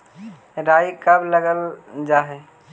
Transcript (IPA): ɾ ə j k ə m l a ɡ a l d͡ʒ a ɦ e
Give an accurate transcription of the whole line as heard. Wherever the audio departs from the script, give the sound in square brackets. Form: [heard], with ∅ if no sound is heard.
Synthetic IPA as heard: ɾ [a] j k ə [b] l [ə] ɡ [ə] l d͡ʒ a ɦ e

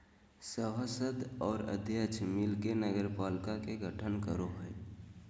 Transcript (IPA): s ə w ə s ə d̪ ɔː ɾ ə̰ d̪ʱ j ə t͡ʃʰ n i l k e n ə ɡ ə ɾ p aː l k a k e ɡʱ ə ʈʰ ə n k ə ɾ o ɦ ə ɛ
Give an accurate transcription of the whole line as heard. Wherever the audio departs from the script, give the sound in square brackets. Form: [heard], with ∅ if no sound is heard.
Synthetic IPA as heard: s ə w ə s ə d̪ ɔː ɾ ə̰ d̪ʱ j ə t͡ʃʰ [m] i l k e n ə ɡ ə ɾ p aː l k a k e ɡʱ ə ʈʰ ə n k ə ɾ o ɦ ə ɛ

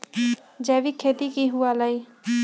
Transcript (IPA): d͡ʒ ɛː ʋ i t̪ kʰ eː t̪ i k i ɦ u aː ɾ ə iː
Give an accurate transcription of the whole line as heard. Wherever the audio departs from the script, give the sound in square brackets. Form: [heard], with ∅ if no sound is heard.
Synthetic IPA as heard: d͡ʒ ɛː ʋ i [∅] kʰ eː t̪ i k i ɦ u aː [l] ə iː

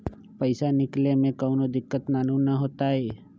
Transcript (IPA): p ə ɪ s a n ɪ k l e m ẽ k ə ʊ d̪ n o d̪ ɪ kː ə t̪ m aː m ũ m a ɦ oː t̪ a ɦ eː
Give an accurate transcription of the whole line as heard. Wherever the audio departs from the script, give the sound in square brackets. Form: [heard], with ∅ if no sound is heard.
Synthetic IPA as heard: p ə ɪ s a n ɪ k l e m ẽ k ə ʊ [∅] n o d̪ ɪ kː ə t̪ [n] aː [n] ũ [n] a ɦ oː t̪ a ɦ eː

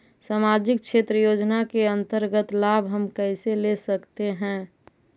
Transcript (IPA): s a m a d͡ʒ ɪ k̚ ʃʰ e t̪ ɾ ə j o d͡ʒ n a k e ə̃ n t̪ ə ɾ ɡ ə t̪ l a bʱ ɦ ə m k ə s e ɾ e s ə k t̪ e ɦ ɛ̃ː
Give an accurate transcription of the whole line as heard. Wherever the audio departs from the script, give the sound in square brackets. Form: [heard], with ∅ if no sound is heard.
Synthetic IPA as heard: s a m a d͡ʒ ɪ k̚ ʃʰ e t̪ ɾ ə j o d͡ʒ n a k e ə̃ n t̪ ə ɾ ɡ ə t̪ l a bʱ ɦ ə m k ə s e [l] e s ə k t̪ e ɦ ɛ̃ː

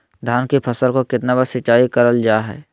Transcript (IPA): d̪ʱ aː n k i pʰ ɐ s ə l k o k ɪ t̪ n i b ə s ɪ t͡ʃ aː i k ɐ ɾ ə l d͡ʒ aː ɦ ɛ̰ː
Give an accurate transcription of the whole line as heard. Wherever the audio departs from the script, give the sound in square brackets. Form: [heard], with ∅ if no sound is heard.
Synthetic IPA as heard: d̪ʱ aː n k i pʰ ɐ s ə l k o k ɪ t̪ n [a] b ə s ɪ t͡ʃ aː i k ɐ ɾ ə l d͡ʒ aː ɦ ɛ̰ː

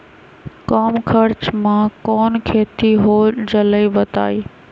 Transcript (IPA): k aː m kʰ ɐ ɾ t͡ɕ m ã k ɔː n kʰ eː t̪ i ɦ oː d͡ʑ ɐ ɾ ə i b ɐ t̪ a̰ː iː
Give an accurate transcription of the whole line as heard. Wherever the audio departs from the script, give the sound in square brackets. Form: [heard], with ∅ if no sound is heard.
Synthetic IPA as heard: k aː m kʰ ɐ ɾ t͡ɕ m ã k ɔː n kʰ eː t̪ i ɦ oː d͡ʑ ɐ [l] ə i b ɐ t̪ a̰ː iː

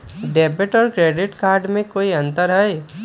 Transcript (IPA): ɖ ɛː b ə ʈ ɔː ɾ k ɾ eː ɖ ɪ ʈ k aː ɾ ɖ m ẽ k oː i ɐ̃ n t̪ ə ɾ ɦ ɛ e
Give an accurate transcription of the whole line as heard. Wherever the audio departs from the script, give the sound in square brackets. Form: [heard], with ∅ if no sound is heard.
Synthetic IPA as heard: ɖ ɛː b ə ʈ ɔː ɾ k ɾ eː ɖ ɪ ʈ k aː ɾ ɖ m ẽ k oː i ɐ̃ n t̪ ə ɾ ɦ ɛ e

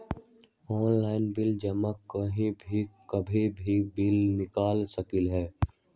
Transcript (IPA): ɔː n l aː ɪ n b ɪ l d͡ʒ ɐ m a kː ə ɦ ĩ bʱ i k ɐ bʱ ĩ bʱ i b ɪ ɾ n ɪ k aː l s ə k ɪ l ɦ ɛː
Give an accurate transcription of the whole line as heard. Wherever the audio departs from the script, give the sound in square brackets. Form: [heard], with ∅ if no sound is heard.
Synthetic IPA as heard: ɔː n l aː ɪ n b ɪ l d͡ʒ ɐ m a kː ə ɦ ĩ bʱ i k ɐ bʱ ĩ bʱ i b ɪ [l] n ɪ k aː l s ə k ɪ l ɦ ɛː

